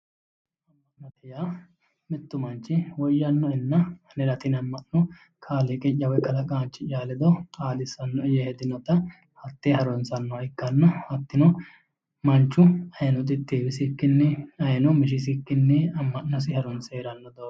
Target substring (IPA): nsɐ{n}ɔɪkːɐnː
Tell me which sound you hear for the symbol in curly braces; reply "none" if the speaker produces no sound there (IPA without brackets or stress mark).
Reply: nː